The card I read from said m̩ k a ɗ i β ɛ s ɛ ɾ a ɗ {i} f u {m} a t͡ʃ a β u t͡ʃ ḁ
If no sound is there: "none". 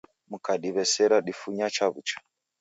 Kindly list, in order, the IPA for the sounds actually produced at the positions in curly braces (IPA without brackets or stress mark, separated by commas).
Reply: i, ɲ